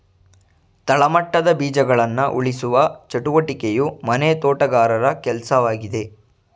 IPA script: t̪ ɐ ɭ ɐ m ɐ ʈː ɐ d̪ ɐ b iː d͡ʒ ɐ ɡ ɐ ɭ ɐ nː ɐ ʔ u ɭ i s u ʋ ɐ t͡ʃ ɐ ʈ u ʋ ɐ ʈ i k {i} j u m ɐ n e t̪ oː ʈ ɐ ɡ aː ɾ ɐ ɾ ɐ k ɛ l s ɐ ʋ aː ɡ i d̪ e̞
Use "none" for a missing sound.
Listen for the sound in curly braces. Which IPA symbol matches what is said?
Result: e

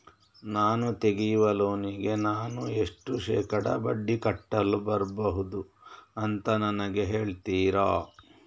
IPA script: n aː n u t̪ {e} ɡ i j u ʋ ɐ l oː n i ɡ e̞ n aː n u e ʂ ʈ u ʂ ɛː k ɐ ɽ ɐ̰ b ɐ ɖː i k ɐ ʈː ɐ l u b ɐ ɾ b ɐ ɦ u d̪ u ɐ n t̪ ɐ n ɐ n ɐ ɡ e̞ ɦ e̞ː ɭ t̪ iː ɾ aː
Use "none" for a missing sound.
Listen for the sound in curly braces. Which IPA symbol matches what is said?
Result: e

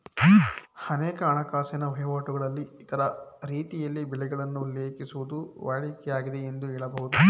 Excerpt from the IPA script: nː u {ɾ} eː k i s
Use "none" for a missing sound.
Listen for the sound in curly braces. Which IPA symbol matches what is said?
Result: l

